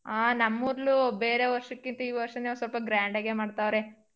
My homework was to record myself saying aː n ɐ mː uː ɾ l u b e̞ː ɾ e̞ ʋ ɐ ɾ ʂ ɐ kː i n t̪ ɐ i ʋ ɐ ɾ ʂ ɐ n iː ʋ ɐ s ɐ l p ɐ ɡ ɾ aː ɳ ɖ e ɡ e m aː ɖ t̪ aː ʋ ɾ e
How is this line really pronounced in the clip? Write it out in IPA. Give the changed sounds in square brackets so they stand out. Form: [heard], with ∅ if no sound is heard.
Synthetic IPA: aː n ɐ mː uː ɾ l u b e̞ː ɾ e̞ ʋ ɐ ɾ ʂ ɐ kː i n t̪ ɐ [iː] ʋ ɐ ɾ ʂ ɐ n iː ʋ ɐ s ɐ l p ɐ ɡ ɾ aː ɳ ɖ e ɡ e m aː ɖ t̪ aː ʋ ɾ e